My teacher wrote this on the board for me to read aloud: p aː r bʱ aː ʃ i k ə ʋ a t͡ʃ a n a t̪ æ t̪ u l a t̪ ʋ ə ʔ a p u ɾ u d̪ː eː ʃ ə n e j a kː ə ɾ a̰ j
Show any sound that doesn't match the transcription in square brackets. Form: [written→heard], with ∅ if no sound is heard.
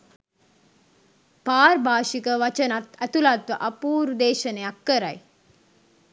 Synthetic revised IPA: p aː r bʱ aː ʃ i k ə ʋ a t͡ʃ [a→ə] n a t̪ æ t̪ u l a t̪ ʋ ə ʔ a p [u→uː] ɾ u [d̪ː→d̪] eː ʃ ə n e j a kː ə ɾ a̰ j